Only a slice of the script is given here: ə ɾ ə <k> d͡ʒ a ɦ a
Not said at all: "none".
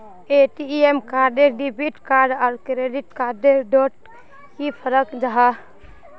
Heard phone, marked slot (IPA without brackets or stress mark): k